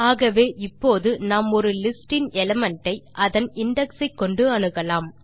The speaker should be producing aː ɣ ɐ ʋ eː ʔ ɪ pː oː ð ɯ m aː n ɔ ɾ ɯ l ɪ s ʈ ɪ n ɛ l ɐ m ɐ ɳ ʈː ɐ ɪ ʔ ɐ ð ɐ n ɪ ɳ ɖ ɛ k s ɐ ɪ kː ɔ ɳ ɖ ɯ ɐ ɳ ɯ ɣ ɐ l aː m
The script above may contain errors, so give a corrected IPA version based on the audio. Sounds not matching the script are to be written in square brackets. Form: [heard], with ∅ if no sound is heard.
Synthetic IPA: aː ɣ ɐ ʋ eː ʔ ɪ pː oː ð ɯ [n] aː [m] ɔ ɾ ɯ l ɪ s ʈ ɪ n ɛ l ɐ m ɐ ɳ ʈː ɐ ɪ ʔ ɐ ð ɐ n ɪ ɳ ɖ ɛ k s ɐ ɪ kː ɔ ɳ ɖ ɯ ɐ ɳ ɯ ɣ ɐ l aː m